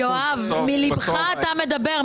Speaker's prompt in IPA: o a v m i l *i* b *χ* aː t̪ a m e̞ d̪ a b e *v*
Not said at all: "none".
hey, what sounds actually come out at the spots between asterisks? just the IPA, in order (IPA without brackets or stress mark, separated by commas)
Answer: i, χ, ʁ